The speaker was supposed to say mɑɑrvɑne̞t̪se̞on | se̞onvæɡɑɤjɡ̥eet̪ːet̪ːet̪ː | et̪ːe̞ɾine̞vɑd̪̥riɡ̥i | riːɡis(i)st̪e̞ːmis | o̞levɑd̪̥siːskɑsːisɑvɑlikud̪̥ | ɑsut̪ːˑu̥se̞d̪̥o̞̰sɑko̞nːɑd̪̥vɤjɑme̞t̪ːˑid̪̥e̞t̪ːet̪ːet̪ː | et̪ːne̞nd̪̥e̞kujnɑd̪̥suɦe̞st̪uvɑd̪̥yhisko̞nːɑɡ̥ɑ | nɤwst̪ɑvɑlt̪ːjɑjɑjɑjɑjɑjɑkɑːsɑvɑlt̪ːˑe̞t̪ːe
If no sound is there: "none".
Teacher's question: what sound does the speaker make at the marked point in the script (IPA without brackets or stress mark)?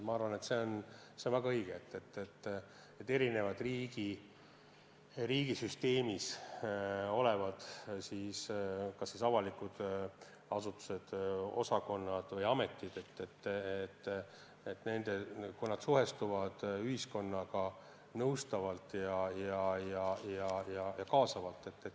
y